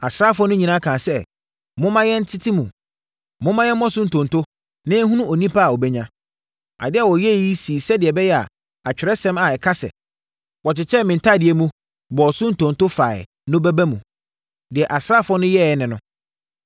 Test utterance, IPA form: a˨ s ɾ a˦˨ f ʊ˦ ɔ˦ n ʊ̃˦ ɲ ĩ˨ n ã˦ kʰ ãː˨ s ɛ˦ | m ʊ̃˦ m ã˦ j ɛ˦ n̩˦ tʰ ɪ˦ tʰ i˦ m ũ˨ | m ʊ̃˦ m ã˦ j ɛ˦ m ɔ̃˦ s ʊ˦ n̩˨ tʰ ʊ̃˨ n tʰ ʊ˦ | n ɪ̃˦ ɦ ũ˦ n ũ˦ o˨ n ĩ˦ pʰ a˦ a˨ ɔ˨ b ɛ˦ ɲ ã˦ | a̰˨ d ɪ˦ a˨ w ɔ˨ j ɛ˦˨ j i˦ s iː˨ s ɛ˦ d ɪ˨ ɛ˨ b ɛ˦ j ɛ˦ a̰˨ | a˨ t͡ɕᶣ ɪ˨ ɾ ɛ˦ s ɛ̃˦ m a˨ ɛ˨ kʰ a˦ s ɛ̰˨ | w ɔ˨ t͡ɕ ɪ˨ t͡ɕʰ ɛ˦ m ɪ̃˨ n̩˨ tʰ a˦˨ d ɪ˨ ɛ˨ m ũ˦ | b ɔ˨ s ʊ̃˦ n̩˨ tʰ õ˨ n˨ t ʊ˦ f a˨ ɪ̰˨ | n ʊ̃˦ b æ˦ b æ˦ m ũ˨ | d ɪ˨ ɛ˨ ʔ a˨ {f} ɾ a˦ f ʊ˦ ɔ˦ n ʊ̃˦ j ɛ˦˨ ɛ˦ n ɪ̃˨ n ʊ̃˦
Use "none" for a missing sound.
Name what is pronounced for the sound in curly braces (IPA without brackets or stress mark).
s